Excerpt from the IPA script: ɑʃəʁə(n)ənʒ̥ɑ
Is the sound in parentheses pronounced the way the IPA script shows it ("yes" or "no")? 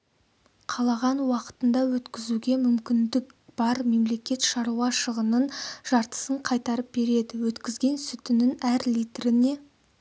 yes